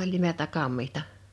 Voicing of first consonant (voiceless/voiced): voiced